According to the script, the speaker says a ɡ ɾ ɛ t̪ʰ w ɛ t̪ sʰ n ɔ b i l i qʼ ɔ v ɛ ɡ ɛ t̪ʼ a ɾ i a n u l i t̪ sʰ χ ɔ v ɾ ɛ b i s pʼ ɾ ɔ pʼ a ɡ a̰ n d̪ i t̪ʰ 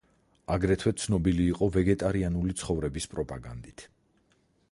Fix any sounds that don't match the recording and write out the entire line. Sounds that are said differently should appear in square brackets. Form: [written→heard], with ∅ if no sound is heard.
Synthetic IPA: a ɡ ɾ ɛ t̪ʰ w ɛ t̪ sʰ n ɔ b i l [i→iː] qʼ ɔ v ɛ ɡ ɛ t̪ʼ a ɾ i a n u l i t̪ sʰ χ ɔ v ɾ ɛ b i s pʼ ɾ ɔ pʼ a ɡ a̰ n d̪ i t̪ʰ